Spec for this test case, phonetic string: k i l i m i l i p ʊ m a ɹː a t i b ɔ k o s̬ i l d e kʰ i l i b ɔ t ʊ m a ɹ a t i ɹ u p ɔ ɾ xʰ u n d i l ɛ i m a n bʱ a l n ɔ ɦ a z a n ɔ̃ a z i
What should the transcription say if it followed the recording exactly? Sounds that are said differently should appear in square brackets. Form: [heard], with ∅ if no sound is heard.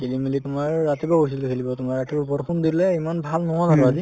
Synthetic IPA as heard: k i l i m i l i [t] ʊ m a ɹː a t i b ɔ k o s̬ i l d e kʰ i l i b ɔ t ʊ m a ɹ a t i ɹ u p ɔ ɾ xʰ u n d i l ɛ i m a n bʱ a l n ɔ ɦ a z a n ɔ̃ a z i